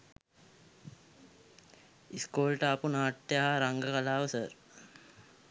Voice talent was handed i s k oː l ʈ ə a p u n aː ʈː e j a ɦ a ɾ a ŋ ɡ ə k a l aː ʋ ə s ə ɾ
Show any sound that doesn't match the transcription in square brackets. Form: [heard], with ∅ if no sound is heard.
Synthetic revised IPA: i s k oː l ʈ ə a p u n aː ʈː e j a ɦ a ɾ a ŋ ɡ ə k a l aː ʋ ə s ə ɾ